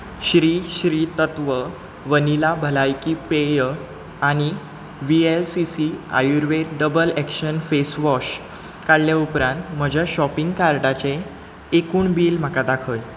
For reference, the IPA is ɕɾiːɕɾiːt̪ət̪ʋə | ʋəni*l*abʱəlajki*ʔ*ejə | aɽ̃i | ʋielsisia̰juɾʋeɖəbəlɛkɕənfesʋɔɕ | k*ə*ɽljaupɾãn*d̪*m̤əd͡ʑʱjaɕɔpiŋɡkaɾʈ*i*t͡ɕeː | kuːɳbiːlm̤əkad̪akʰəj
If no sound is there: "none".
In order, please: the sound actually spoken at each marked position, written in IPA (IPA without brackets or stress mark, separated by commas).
l, p, a, t̪, a